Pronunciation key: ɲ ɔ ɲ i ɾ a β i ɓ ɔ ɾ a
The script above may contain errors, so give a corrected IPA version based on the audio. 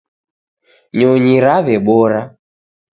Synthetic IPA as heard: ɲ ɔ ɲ i ɾ a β ɛ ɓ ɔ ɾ a